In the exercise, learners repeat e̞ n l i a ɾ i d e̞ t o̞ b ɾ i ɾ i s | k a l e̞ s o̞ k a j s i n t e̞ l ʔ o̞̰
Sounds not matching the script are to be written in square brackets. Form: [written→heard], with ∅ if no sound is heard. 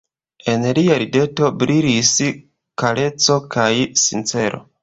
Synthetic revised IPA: e̞ n l i a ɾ i d e̞ t o̞ b ɾ i ɾ i s | k a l e̞ [s→t͡s] o̞ k a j s i n [t→t͡s] e̞ [l→ɾ] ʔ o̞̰